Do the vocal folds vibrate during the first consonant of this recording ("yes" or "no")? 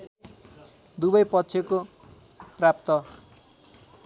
yes